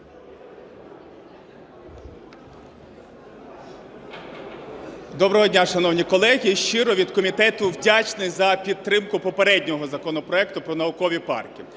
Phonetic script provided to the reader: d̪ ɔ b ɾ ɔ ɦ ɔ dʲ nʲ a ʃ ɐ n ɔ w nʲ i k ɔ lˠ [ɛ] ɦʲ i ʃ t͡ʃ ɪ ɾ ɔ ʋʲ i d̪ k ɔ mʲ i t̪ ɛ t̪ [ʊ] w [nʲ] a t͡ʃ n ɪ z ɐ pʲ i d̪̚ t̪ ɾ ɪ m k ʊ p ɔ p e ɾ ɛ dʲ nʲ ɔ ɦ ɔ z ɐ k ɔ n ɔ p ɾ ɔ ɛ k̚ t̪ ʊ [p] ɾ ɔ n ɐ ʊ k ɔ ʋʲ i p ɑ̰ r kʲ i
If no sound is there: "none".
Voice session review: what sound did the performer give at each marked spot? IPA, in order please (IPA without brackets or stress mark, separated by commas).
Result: ɛ, ʊ, dʲ, p